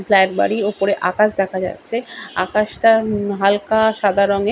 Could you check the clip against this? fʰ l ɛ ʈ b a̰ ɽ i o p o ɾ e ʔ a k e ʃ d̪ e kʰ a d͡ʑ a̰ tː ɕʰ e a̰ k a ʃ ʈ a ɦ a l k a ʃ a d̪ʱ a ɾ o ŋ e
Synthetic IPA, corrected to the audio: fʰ l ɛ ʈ b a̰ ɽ i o p o ɾ e ʔ a k a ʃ d̪ ɛ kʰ a d͡ʑ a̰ tː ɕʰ e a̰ k a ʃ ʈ a ɦ a l k a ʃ a d̪ʱ a ɾ o ŋ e